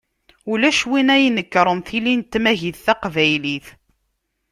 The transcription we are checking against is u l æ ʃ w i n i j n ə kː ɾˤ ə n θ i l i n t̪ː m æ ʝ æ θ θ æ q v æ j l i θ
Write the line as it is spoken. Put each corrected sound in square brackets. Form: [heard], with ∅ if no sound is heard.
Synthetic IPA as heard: u l æ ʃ w i n [æ] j n ə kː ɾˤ ə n θ i l i n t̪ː m æ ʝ [i] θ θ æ q v æ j l i θ